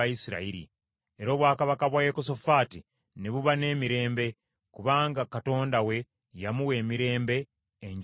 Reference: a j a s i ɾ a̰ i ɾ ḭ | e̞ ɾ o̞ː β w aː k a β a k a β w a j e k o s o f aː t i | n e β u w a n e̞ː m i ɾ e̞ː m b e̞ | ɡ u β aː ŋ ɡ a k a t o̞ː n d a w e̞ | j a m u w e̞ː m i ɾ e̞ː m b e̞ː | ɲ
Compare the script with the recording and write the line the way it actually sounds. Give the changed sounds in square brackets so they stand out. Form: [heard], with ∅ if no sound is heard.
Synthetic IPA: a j [i] s i ɾ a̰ i ɾ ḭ | e̞ ɾ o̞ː β w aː k a β a k a β w a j e k o s o f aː t i | n e β u [β] a n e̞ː m i ɾ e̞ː m b e̞ | [k] u β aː ŋ ɡ a k a t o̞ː n d a w e̞ | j a m u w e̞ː m i ɾ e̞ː m b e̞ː | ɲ